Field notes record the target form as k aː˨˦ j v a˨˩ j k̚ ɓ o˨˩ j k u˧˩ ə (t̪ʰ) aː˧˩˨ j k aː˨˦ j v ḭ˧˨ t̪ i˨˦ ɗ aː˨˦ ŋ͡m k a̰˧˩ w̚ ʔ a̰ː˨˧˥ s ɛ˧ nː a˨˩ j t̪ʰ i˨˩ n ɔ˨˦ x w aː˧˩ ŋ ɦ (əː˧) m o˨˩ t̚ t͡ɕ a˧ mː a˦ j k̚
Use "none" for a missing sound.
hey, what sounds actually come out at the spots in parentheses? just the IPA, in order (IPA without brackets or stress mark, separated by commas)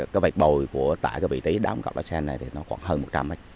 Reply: t̪, əː˧